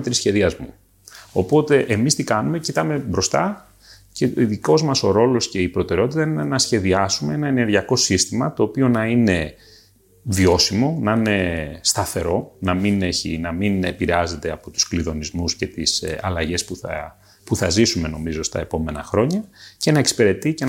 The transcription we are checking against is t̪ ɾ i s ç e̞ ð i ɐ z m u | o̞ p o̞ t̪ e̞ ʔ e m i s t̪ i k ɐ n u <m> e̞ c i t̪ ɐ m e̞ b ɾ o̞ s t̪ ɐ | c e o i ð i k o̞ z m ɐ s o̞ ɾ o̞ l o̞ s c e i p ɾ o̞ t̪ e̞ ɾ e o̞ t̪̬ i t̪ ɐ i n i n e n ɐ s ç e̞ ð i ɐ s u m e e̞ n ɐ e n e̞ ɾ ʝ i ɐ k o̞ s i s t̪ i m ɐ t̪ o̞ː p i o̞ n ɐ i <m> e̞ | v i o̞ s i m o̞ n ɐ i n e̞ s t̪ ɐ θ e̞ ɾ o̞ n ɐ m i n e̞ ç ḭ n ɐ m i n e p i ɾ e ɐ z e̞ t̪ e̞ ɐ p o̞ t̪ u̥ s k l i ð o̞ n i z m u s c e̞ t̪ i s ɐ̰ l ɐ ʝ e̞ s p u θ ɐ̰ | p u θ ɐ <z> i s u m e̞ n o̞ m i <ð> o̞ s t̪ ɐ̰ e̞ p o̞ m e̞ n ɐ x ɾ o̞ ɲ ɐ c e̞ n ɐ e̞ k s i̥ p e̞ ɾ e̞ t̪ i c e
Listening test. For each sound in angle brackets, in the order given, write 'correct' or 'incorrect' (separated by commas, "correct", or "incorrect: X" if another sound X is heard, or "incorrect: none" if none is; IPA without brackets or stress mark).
correct, incorrect: n, correct, incorrect: z